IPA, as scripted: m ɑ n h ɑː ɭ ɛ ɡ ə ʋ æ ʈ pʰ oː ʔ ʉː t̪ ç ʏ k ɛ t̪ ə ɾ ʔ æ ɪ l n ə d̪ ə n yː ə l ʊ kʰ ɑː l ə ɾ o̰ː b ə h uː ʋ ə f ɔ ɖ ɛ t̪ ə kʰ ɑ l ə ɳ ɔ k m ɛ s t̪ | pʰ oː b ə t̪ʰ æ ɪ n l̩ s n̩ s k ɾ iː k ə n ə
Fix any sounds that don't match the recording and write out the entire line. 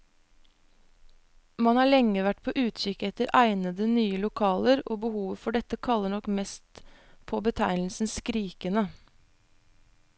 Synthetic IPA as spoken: m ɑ n h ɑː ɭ ɛ ŋ ə ʋ æ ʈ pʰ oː ʔ ʉː t̪ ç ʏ k ɛ t̪ ə ɾ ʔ æ ɪ n ə d̪ ə n yː ə l ʊ kʰ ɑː l ə ɾ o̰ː b ə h uː ʋ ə f ɔ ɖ ɛ t̪ ə kʰ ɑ l ə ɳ ɔ k m ɛ s t̪ | pʰ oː b ə t̪ʰ æ ɪ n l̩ s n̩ s k ɾ iː k ə n ə